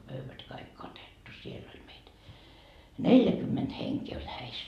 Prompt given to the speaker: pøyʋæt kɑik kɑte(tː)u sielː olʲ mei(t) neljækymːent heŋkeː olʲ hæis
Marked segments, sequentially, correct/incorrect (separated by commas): correct, correct